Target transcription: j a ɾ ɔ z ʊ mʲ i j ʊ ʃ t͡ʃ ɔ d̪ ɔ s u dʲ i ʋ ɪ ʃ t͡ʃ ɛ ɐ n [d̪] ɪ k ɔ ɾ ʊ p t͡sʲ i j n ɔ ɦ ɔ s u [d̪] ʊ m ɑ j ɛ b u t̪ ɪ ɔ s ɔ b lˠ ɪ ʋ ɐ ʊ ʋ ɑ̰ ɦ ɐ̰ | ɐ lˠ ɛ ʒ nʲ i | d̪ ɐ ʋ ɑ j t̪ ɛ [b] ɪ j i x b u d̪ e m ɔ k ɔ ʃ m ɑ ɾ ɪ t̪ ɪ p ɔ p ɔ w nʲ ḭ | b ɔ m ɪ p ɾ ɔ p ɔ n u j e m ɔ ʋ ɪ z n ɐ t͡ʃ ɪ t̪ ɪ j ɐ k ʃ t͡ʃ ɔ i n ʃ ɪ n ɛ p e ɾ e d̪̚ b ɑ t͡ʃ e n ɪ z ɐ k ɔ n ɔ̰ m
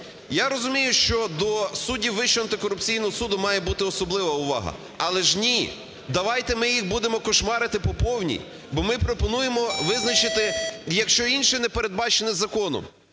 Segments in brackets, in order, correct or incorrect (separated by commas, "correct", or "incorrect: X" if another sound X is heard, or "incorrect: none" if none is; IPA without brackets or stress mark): incorrect: t̪, correct, incorrect: m